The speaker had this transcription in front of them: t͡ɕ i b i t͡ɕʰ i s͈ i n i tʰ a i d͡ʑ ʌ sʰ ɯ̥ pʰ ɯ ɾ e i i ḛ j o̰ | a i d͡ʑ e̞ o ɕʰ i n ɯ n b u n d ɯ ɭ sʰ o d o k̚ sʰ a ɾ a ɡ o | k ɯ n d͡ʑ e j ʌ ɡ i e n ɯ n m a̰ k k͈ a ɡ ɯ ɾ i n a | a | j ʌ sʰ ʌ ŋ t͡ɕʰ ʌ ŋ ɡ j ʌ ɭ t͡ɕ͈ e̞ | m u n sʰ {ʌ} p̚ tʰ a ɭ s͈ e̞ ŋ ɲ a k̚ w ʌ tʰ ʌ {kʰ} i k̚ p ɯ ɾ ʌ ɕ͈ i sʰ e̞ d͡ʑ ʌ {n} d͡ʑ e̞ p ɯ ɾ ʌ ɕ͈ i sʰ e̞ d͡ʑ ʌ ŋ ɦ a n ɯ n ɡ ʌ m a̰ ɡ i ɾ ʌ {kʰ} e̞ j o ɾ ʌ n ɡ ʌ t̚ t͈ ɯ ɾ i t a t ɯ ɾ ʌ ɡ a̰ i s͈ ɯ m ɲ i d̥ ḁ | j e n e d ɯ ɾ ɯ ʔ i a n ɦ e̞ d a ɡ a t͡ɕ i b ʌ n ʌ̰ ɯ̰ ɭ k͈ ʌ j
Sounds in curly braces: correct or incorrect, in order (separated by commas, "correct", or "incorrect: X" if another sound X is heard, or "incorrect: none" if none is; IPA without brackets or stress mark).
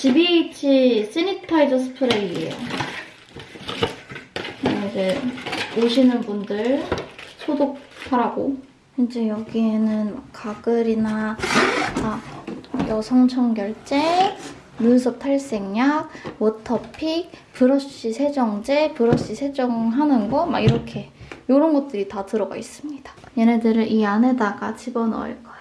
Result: correct, incorrect: pʰ, incorrect: ŋ, correct